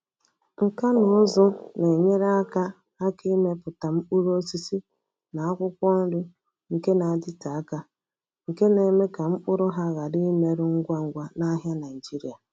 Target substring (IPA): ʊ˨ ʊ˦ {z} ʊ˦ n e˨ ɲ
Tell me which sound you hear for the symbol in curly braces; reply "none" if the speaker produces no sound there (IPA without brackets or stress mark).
z